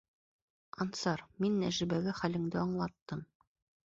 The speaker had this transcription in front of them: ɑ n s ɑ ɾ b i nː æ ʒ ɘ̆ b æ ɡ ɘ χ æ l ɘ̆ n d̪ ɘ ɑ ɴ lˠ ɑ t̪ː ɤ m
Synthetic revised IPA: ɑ n s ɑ ɾ m i nː æ ʒ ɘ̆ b æ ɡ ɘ χ æ l ɘ̆ ŋ d̪ ɘ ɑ ɴ lˠ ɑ t̪ː ɤ m